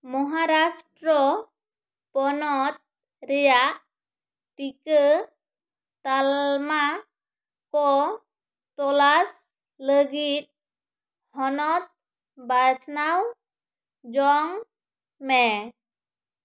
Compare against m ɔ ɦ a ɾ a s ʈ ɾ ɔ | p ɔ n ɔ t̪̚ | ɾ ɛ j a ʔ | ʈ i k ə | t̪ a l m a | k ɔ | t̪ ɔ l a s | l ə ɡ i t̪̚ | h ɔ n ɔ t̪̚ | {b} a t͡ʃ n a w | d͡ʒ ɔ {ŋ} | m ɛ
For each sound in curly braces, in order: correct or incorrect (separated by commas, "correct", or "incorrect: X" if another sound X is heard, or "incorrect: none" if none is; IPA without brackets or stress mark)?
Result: correct, correct